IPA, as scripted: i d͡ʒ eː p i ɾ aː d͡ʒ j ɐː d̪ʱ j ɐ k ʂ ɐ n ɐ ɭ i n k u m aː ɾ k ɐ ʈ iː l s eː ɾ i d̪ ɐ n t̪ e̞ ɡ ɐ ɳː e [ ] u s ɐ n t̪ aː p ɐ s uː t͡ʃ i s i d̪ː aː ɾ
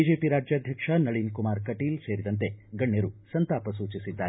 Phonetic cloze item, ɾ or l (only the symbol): ɾ